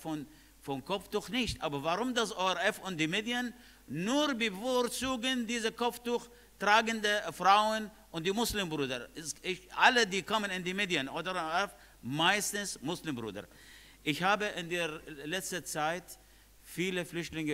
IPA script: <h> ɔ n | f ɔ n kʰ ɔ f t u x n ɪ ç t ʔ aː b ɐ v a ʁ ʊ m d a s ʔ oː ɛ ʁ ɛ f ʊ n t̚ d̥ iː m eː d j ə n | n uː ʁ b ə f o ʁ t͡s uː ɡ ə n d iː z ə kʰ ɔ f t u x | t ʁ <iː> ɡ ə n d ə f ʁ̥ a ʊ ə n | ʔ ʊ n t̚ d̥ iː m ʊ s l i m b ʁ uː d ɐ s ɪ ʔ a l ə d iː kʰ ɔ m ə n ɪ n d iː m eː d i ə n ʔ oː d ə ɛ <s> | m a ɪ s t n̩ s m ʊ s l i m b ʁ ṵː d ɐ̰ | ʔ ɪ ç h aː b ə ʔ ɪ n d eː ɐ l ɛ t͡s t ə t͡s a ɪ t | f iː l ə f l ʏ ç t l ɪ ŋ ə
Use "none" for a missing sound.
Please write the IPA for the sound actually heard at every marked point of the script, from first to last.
f, aː, f

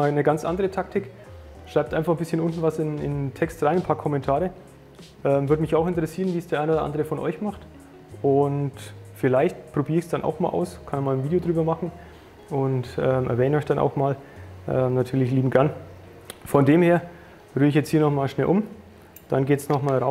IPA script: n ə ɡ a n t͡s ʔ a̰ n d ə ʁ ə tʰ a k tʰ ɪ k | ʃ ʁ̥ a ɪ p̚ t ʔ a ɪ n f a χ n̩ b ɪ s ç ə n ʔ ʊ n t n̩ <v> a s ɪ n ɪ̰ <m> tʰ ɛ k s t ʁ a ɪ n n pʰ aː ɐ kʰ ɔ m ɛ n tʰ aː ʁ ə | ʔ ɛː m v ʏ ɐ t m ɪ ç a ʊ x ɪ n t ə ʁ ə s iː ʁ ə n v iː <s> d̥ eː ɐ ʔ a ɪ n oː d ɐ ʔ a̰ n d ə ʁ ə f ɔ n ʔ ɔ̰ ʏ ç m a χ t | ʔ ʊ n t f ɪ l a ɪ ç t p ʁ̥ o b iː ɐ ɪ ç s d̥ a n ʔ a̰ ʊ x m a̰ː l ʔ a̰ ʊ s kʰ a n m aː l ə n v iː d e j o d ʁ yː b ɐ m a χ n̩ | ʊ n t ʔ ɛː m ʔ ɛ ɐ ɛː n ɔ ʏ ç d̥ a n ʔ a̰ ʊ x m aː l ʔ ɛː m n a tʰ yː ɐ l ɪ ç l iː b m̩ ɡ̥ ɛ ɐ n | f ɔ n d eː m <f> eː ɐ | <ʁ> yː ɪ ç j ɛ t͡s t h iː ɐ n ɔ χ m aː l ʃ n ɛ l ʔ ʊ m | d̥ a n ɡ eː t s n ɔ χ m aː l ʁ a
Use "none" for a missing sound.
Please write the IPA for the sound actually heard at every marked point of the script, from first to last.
v, n, s, h, ʁ

